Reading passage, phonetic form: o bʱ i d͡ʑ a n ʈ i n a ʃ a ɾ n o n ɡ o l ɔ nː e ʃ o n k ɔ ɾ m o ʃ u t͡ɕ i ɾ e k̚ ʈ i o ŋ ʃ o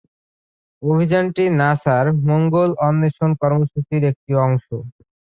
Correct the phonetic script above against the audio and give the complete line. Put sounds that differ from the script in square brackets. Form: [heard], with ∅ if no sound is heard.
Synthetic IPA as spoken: o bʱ i d͡ʑ a n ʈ i n a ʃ a ɾ [m] o [ŋ] ɡ o l ɔ nː e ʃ o n k ɔ ɾ m o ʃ u t͡ɕ i ɾ e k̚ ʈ i [ɔ] ŋ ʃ o